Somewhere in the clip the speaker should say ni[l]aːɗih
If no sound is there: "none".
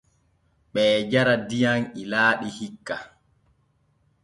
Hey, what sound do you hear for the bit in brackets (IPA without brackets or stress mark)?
l